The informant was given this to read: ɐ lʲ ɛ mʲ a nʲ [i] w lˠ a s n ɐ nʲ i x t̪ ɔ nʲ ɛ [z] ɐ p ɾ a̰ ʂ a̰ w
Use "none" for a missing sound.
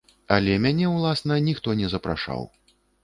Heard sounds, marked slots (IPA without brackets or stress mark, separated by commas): ɛ, z